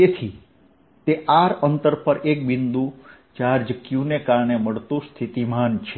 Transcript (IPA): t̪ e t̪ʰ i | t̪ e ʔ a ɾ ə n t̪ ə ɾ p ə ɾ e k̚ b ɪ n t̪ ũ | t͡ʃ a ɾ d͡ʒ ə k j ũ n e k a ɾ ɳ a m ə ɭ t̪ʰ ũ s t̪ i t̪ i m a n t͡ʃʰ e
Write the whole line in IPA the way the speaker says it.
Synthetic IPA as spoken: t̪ e t̪ʰ i | t̪ e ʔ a ɾ ə n t̪ ə ɾ p ə ɾ e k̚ b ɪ n d̪ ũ | t͡ʃ a ɾ d͡ʒ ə k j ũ n e k a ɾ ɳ e m ə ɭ t̪ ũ s t̪ʰ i t̪ i m a n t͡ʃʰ e